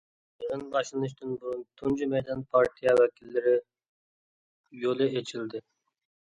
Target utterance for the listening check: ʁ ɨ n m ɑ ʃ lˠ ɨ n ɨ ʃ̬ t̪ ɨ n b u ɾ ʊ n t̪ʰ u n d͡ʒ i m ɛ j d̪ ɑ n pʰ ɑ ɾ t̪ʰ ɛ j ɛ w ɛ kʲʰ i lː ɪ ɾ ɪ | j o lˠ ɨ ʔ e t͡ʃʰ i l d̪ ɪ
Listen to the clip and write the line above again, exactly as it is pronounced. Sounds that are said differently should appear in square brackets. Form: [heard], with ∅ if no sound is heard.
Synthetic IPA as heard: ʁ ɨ n [b] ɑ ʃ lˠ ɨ n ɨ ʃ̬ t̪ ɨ n b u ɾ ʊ n t̪ʰ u n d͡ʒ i m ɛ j d̪ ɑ n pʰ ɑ ɾ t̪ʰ [i] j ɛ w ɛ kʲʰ i lː ɪ ɾ ɪ | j o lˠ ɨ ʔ e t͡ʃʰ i l d̪ ɪ